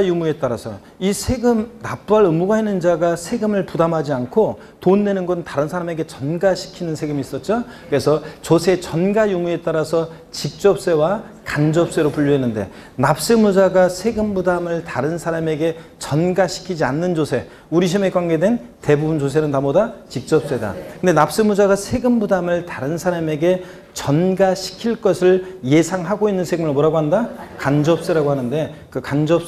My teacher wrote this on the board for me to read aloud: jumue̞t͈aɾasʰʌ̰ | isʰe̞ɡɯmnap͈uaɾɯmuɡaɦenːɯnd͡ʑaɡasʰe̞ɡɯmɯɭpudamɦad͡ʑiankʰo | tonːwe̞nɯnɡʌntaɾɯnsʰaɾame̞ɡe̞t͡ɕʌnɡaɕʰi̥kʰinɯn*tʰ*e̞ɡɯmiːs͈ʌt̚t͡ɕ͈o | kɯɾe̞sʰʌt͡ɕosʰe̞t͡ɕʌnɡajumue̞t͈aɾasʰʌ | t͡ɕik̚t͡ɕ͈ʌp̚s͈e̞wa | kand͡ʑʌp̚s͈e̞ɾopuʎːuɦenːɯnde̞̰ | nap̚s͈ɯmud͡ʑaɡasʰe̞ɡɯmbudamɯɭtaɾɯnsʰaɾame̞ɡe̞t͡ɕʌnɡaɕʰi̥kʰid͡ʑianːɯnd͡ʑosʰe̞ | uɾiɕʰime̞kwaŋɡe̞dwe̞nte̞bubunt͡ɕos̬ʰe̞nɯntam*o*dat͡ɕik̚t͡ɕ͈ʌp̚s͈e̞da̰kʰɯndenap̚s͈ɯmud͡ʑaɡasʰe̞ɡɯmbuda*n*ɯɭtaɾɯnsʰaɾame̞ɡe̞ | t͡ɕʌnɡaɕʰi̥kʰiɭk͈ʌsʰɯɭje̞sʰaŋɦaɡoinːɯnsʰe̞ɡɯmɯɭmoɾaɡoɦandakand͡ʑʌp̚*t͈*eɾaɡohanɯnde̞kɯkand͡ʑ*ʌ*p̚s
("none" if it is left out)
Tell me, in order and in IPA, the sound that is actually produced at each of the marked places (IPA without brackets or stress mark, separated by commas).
sʰ, o, m, s͈, ʌ